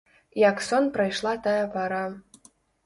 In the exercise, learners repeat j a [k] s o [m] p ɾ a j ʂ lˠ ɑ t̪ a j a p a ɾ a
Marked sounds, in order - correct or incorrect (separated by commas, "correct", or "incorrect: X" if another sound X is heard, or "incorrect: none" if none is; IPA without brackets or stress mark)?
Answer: correct, incorrect: n